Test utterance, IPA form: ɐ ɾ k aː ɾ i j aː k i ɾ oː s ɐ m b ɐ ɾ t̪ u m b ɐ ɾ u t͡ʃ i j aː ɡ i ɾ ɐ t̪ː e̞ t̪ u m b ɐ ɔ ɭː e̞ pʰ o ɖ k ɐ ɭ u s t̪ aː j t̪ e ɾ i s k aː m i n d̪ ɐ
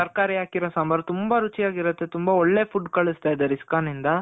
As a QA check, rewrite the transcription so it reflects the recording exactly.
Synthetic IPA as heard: ɐ ɾ k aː ɾ i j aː k i ɾ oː s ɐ m b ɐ ɾ t̪ u m b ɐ ɾ u t͡ʃ i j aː ɡ i ɾ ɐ t̪ː e̞ t̪ u m b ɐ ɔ ɭː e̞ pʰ u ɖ k ɐ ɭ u s t̪ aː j d̪ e ɾ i s k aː n i n d̪ ɐ